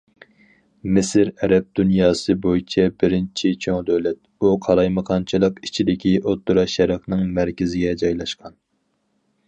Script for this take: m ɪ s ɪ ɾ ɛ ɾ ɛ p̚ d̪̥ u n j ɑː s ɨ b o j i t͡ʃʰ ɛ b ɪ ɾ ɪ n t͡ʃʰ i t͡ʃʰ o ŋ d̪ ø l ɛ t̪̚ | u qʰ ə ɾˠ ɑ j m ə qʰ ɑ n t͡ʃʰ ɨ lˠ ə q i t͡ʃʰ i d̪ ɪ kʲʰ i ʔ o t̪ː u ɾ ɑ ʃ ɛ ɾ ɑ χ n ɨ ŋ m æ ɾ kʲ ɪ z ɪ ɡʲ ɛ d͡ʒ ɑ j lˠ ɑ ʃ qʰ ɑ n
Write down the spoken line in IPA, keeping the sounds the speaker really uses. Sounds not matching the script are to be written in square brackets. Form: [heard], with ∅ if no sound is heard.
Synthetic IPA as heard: m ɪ s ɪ ɾ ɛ ɾ ɛ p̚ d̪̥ u n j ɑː s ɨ b o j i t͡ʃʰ ɛ b ɪ ɾ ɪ n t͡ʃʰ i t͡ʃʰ o ŋ d̪ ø l ɛ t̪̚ | u qʰ [ɑ] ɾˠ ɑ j m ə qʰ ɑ n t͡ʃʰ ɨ lˠ ə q i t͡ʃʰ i d̪ ɪ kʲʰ i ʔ o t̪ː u ɾ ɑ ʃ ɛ ɾ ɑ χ n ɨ ŋ m æ ɾ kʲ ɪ z ɪ ɡʲ ɛ d͡ʒ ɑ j lˠ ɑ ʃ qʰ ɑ n